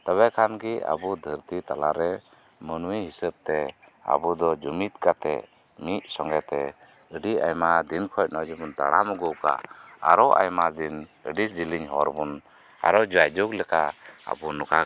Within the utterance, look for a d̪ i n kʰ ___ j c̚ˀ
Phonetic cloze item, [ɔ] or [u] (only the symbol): ɔ